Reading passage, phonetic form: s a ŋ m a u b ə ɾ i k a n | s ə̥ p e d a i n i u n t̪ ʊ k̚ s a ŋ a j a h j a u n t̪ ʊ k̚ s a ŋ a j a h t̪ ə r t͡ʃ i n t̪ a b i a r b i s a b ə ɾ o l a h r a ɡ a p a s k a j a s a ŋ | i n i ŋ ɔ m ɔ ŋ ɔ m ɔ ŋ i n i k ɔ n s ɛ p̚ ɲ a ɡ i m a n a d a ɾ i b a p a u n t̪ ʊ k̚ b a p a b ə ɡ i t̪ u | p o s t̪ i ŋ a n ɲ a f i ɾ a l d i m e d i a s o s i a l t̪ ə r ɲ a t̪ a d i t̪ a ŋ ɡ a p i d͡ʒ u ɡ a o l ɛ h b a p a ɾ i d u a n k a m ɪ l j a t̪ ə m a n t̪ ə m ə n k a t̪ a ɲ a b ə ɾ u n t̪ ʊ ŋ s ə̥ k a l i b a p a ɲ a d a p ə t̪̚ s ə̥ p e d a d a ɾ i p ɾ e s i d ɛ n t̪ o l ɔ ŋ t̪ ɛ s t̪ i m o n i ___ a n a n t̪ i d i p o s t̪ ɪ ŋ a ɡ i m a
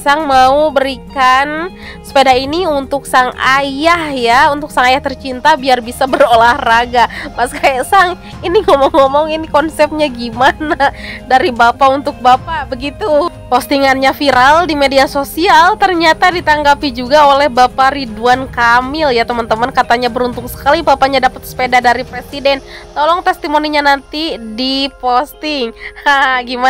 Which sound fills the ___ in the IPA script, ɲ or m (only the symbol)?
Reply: ɲ